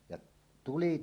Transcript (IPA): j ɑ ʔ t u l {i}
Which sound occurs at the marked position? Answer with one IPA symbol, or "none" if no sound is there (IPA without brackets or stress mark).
i